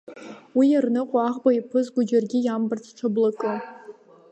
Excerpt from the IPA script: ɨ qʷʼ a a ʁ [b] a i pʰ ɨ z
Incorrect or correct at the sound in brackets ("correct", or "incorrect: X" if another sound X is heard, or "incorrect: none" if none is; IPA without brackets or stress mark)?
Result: correct